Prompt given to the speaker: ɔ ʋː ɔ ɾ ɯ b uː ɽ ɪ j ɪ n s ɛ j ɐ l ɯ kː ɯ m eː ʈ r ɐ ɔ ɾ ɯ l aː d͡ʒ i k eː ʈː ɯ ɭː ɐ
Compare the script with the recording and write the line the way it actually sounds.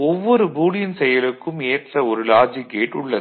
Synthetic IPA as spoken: ɔ ʋː ɔ ɾ ɯ b uː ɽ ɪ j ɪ n s ɛ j ɐ l ɯ kː ɯ m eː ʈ r ɐ ɔ ɾ ɯ l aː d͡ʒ i k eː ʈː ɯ ɭː ɐ